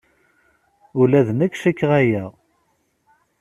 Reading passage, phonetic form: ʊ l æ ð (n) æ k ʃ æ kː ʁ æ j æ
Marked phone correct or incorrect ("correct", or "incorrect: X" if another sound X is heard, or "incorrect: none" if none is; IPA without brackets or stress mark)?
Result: correct